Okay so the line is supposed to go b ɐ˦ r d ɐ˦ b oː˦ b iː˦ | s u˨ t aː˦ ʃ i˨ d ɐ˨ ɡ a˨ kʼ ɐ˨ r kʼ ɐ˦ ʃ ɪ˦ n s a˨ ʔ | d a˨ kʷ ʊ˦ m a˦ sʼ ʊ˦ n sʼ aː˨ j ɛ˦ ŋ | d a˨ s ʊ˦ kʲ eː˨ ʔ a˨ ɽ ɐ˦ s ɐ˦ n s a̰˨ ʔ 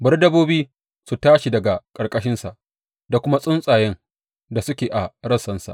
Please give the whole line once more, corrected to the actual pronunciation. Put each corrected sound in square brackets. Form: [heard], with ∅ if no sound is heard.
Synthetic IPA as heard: b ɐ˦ r d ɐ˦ b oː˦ b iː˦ | s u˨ t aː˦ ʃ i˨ d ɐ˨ ɡ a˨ kʼ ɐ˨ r kʼ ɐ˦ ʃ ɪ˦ n s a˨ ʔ | d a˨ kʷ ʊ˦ m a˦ sʼ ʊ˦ n sʼ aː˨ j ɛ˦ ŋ | d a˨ s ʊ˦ kʲ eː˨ ʔ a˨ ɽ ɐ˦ s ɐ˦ n s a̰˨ ʔ